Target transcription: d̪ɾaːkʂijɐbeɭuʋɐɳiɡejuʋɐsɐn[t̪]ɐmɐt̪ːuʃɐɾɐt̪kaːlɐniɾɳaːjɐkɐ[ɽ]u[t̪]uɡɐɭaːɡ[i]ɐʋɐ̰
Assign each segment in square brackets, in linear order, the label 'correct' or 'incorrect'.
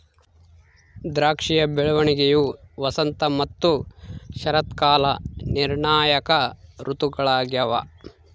correct, incorrect: ɾ, correct, incorrect: j

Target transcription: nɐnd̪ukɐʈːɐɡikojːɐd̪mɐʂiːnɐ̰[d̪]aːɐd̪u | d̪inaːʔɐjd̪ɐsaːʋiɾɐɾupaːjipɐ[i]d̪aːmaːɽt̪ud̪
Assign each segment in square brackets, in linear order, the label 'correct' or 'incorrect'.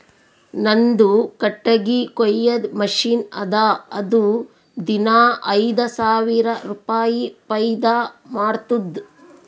correct, incorrect: j

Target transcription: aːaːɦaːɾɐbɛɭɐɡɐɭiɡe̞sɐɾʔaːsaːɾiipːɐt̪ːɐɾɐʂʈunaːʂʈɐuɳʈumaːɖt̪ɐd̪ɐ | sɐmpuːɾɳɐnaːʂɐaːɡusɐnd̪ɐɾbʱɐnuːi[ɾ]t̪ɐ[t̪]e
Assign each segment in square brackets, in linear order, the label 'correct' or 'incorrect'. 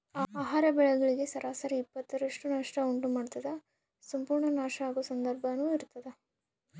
correct, incorrect: d̪

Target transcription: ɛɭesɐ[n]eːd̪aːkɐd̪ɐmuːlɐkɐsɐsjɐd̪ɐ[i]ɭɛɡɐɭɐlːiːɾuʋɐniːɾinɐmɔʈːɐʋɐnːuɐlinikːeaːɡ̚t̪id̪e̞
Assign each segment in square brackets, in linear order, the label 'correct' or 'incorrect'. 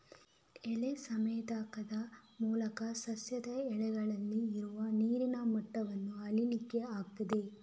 incorrect: m, incorrect: ɛ

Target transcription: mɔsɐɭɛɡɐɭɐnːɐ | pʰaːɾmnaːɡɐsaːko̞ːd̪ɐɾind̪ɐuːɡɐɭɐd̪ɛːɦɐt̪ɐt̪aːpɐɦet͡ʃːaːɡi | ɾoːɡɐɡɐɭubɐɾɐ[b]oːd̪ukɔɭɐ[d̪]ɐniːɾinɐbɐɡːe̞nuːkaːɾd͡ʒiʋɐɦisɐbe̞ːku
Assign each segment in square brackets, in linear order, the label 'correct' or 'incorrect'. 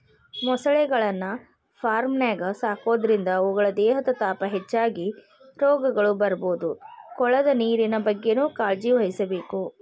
correct, correct

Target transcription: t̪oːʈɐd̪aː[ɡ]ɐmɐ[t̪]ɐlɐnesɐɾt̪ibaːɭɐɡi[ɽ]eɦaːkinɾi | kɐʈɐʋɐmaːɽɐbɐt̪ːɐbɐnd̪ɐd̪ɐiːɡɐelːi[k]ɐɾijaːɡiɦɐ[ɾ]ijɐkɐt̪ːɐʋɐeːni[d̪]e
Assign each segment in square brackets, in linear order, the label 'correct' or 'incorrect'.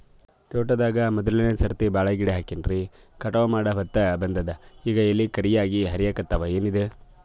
correct, incorrect: d̪, correct, correct, correct, correct

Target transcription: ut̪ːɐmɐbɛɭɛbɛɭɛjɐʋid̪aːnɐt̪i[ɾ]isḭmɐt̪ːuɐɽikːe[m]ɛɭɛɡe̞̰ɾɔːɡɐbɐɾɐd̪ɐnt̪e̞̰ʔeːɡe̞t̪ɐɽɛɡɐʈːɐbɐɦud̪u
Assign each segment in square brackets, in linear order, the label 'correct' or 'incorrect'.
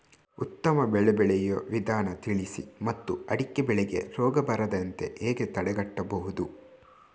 incorrect: ɭ, incorrect: b

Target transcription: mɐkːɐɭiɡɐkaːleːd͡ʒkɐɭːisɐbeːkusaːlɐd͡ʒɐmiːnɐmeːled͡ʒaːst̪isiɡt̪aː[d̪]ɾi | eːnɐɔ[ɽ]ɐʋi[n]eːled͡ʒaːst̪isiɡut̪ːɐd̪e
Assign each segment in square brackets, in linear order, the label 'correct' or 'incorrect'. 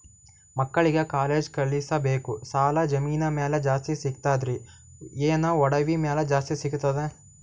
correct, correct, incorrect: m

